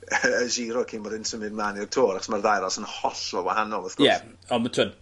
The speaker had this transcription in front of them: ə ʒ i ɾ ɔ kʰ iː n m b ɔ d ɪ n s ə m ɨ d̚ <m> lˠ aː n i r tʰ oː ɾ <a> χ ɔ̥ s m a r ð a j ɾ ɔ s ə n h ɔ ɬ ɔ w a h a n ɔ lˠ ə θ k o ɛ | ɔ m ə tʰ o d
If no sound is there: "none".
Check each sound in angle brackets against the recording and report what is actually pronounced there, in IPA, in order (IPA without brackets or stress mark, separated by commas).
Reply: m, a